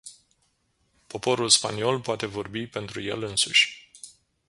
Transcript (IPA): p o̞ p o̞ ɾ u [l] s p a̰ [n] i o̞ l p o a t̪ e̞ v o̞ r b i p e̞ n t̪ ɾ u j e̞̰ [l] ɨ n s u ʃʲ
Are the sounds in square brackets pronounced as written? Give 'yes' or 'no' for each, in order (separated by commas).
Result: yes, yes, yes